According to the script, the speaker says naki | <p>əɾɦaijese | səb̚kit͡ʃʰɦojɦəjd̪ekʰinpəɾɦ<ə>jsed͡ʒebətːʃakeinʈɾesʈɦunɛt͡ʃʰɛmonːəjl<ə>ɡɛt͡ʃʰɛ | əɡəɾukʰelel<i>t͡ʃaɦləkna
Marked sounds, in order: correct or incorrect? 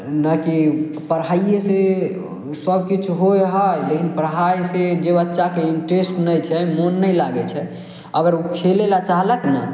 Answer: correct, incorrect, incorrect, incorrect

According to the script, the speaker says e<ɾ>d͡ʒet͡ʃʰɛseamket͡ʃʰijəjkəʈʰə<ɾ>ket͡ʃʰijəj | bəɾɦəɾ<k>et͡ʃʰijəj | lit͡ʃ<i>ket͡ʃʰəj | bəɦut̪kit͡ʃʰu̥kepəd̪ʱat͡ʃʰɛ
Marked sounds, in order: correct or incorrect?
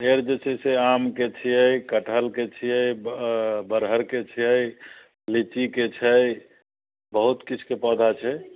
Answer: correct, incorrect, correct, correct

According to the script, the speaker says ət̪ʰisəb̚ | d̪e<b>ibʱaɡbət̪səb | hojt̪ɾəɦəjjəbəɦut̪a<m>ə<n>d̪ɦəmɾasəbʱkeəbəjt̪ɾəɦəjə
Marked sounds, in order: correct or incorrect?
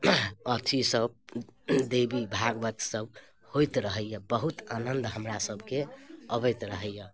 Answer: correct, incorrect, correct

